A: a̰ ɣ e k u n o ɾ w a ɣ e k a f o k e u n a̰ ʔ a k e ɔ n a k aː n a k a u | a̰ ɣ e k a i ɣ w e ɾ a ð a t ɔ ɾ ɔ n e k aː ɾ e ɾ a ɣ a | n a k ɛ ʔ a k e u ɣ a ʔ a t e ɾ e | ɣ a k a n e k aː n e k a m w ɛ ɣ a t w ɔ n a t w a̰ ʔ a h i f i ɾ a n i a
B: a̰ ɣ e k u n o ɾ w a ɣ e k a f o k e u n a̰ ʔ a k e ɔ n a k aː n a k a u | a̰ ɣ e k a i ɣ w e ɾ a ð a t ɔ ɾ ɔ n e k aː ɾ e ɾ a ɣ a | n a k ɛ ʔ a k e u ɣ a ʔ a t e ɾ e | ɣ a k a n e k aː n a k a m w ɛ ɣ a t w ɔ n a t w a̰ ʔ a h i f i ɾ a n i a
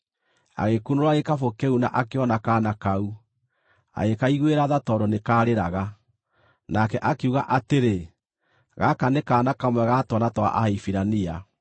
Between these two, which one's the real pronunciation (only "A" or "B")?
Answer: B